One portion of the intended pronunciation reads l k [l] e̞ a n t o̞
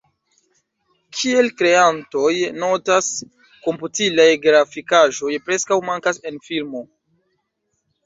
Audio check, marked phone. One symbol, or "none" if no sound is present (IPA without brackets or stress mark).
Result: ɾ